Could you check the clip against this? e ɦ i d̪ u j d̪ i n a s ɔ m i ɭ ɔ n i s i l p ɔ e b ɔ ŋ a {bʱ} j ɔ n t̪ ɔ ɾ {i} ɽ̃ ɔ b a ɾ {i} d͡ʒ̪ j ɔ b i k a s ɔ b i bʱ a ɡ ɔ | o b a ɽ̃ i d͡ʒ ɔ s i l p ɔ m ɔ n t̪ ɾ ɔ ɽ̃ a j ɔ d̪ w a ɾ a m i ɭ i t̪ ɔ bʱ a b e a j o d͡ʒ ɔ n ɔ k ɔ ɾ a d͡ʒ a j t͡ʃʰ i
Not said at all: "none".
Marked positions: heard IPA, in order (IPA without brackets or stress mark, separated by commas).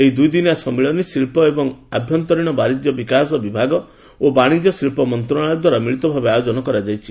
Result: bʱ, i, i